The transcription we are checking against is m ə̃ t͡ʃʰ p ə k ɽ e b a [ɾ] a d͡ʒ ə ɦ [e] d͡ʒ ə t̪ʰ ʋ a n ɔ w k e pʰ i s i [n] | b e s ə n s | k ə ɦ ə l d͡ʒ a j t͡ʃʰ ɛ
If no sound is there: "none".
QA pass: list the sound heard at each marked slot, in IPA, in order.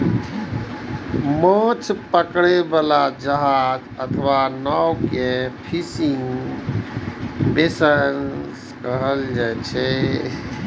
l, a, ŋ

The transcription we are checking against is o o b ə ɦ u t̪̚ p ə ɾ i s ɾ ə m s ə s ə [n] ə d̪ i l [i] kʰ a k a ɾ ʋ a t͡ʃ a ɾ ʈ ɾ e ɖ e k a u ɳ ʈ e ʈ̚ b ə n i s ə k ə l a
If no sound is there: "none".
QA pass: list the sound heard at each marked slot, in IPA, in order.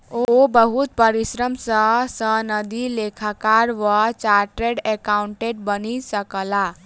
n, e

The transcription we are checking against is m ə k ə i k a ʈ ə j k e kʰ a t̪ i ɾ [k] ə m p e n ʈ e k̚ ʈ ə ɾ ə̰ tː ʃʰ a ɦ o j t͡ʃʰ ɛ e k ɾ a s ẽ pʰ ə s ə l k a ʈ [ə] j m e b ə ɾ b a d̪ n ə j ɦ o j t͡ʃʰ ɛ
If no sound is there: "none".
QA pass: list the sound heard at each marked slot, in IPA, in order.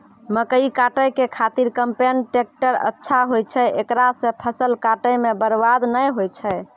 k, ə

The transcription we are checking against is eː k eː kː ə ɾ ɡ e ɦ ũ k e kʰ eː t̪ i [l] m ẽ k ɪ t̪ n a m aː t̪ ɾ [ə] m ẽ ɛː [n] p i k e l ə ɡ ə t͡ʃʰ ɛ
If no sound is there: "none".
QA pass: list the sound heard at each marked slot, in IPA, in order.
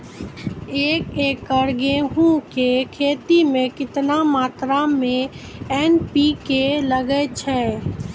none, a, n

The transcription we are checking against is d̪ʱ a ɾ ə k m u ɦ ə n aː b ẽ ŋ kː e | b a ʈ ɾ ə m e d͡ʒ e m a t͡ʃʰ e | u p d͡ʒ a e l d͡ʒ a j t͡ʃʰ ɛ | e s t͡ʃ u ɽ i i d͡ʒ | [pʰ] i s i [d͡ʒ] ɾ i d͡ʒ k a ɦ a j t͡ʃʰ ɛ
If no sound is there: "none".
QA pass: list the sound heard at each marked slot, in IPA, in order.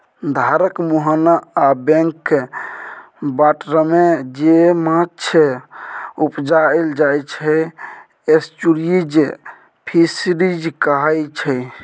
pʰ, none

